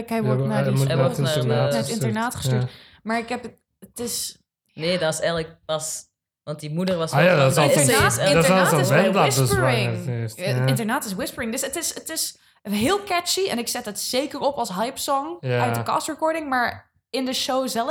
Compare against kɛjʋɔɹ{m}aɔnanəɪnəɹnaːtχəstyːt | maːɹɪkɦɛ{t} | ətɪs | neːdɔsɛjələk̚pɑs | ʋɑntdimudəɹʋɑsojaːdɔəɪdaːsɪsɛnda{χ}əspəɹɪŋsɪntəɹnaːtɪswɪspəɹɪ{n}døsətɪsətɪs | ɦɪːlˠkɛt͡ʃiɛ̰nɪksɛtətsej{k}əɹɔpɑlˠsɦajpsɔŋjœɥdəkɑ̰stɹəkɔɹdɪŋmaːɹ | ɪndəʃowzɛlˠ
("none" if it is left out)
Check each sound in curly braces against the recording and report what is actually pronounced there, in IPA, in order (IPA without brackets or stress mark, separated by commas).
n, p, s, ŋ, k